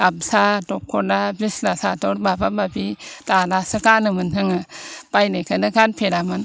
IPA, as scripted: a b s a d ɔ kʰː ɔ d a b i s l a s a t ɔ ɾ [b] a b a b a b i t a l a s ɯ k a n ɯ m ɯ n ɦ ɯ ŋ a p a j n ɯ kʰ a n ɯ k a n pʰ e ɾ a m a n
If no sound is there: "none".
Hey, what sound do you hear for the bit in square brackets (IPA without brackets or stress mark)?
b